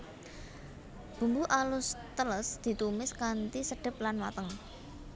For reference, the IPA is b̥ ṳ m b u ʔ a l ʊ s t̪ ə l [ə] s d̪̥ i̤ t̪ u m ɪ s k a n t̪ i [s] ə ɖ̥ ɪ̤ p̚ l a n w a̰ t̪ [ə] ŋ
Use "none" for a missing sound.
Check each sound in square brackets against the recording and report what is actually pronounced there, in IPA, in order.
ə, s, ə

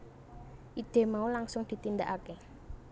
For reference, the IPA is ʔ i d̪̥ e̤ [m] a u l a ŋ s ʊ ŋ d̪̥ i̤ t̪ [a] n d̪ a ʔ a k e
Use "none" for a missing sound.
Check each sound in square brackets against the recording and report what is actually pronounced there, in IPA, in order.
m, i

